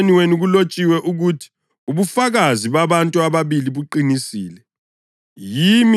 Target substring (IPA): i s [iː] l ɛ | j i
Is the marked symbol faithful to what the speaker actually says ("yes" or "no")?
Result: yes